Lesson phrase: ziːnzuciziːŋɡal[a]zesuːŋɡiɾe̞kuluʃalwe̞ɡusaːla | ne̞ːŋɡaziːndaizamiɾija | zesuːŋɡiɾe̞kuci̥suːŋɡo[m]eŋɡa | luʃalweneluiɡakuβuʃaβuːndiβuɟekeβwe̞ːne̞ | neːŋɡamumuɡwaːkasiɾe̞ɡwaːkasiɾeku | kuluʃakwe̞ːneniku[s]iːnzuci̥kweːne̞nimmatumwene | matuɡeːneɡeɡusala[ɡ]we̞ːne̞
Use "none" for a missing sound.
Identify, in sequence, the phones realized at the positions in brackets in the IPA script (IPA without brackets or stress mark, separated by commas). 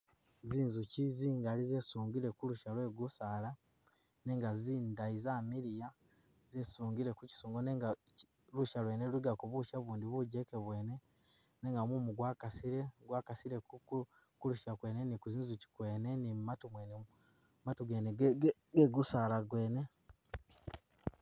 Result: i, n, z, ɡ